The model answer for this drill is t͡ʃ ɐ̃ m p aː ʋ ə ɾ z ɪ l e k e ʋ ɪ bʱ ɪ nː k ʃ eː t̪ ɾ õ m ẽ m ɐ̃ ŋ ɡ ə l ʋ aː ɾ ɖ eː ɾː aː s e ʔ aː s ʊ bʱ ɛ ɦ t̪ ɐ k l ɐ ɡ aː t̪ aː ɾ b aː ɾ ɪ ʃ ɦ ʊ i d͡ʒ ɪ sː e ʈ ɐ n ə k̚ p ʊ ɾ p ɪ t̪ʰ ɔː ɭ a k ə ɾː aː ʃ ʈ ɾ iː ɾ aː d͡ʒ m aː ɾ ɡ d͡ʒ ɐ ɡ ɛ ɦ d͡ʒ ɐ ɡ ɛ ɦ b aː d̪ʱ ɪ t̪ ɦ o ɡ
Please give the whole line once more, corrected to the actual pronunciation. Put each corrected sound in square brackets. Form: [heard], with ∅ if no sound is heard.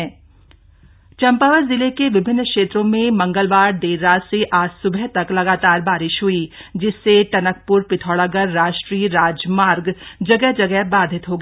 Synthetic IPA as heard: t͡ʃ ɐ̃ m p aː ʋ ə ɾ z ɪ l e k e ʋ ɪ bʱ ɪ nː k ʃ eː t̪ ɾ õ m ẽ m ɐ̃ ŋ ɡ ə l ʋ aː ɾ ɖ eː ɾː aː s e ʔ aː s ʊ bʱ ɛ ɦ t̪ ɐ k l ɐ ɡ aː t̪ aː ɾ b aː ɾ ɪ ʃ ɦ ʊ i d͡ʒ ɪ sː e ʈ ɐ n ə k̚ p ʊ ɾ p ɪ t̪ʰ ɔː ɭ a [ɡ] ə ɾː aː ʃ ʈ ɾ iː ɾ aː d͡ʒ m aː ɾ ɡ d͡ʒ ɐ ɡ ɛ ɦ d͡ʒ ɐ ɡ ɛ ɦ b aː d̪ʱ ɪ t̪ ɦ o ɡ